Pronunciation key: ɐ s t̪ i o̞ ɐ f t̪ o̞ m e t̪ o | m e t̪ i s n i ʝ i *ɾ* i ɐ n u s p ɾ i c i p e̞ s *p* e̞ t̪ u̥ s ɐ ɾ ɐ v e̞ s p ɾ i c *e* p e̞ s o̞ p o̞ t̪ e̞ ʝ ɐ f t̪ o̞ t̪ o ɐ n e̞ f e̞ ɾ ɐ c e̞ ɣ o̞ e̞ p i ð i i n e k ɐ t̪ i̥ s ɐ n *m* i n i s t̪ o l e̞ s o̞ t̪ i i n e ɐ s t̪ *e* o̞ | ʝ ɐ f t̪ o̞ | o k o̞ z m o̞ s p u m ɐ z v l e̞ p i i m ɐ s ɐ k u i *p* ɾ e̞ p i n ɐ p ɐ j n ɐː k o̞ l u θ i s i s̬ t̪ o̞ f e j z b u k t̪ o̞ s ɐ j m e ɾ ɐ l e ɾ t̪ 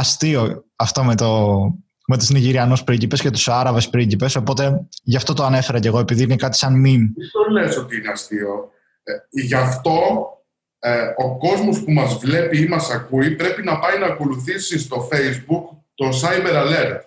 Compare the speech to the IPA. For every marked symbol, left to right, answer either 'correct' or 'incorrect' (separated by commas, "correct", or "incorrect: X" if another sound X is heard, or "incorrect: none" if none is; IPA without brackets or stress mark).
correct, incorrect: c, incorrect: i, correct, incorrect: i, correct